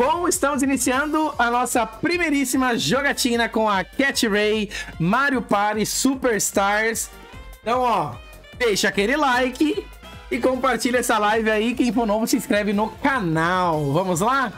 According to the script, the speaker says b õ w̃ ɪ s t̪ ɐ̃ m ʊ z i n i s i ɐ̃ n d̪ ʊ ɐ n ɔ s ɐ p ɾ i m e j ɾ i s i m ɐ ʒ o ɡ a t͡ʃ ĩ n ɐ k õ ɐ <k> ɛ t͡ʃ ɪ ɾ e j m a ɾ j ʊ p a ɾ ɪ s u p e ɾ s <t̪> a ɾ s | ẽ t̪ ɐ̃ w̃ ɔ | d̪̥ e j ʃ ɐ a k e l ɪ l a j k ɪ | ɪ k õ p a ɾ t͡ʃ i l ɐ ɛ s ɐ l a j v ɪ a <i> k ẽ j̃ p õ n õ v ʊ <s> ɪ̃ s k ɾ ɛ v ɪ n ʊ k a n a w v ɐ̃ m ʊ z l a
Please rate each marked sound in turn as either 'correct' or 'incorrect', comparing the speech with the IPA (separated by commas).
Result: correct, correct, correct, correct